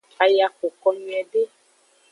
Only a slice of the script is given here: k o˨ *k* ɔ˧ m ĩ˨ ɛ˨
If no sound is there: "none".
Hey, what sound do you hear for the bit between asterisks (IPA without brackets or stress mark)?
k